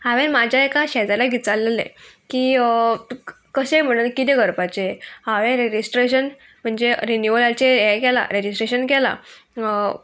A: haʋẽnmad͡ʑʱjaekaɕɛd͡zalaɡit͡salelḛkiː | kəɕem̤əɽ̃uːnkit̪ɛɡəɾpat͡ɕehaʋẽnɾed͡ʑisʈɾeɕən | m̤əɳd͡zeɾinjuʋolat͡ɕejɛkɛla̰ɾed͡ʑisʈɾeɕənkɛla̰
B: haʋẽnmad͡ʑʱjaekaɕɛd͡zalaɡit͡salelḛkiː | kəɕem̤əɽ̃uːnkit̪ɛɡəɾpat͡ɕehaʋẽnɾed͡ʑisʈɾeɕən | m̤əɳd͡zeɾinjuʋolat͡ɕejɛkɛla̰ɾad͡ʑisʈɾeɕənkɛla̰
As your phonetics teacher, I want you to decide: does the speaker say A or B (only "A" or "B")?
A